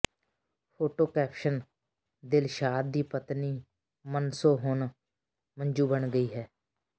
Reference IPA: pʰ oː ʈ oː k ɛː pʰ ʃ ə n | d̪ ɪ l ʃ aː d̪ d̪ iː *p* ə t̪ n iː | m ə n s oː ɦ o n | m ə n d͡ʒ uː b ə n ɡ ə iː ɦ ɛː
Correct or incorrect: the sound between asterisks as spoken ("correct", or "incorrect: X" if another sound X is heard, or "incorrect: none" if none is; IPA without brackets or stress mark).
correct